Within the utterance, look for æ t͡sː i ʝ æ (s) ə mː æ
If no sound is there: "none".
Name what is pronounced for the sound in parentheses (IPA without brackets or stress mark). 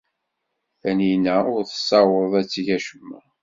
ʃ